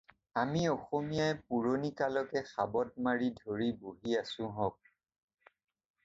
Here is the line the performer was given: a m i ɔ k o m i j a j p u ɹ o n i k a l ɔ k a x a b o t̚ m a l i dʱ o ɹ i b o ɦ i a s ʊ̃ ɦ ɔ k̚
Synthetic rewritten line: a m i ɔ x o m i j a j p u ɹ o n i k a l ɔ k ɛ x a b ɔ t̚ m a ɹ i dʱ o ɹ i b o ɦ i a s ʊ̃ ɦ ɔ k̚

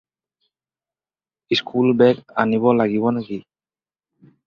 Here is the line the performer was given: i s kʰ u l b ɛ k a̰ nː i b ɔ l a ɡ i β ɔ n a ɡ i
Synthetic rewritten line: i s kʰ u l b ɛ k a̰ n i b ɔ l a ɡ i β ɔ n a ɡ i

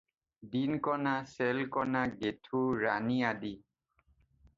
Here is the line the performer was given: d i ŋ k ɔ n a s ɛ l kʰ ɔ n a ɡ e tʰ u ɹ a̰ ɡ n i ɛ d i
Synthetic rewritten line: d i n k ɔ n a s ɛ l k ɔ n a ɡ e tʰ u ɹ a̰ n i a d i

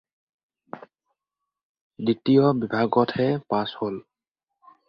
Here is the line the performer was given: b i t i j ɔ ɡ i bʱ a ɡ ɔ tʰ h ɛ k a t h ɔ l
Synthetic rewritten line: d i t i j ɔ b i bʱ a ɡ ɔ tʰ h ɛ p a s h o l

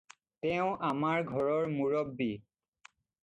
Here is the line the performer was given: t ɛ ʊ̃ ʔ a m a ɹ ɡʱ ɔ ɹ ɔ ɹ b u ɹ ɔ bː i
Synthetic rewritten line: t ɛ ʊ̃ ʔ a m a ɹ ɡʱ ɔ ɹ ɔ ɹ m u ɹ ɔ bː i

